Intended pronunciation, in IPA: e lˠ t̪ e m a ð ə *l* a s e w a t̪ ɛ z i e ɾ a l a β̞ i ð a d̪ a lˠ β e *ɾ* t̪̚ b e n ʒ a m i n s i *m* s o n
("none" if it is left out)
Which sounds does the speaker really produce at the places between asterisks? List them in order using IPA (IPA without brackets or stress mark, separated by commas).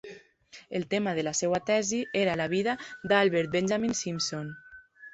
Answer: l, ɾ, m